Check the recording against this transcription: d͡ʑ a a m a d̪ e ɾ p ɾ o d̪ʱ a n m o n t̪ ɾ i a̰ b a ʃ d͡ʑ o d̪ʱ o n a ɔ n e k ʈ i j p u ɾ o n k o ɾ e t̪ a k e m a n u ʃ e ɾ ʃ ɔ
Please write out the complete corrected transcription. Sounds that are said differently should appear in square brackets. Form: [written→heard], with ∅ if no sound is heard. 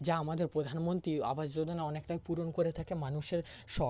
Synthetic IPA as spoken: d͡ʑ a a m a d̪ e ɾ p ɾ o d̪ʱ a n m o n t̪ ɾ i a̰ b a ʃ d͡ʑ o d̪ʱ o n a ɔ n e k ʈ [i→a] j p u ɾ o n k o ɾ e [t̪→t̪ʰ] a k e m a n u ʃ e ɾ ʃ ɔ